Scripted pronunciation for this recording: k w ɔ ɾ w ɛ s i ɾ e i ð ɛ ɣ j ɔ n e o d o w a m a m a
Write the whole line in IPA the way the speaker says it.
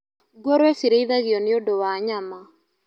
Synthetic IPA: ɡ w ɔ ɾ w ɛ s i ɾ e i ð a ɣ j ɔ n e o d o w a ɲ a m a